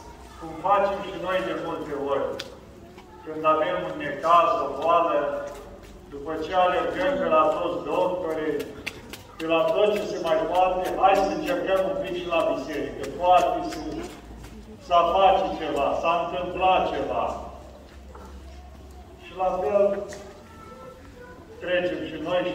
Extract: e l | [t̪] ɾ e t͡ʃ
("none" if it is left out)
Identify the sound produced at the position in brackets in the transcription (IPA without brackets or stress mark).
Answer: t̪